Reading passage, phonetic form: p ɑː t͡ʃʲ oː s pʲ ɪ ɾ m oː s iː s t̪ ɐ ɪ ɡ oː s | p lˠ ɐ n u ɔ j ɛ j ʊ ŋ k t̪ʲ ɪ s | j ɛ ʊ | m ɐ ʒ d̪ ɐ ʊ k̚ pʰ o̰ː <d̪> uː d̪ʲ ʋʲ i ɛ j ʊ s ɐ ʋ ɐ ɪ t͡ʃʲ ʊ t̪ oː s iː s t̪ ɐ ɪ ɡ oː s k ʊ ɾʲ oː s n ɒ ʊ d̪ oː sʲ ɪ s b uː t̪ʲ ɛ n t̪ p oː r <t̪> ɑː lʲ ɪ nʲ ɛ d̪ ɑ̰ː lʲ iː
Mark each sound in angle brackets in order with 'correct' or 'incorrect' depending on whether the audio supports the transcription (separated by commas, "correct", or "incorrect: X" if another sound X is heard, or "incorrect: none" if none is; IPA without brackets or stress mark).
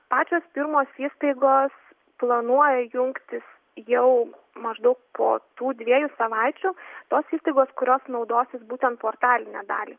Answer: incorrect: t̪, correct